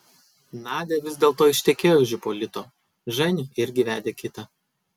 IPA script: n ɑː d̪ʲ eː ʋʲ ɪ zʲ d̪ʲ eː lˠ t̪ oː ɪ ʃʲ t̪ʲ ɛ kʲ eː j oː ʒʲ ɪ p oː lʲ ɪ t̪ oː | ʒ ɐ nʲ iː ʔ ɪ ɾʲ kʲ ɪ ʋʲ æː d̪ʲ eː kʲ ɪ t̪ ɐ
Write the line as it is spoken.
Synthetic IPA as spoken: n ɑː d̪ʲ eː ʋʲ ɪ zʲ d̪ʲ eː lˠ t̪ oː ɪ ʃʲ t̪ʲ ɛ kʲ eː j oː ʒʲ ɪ p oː lʲ ɪ t̪ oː | ʒ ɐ nʲ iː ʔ ɪ ɾʲ ɡʲ ɪ ʋʲ æː d̪ʲ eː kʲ ɪ t̪ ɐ